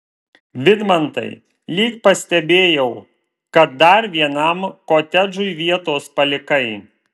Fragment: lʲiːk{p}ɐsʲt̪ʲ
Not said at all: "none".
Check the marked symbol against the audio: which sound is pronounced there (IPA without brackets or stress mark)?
p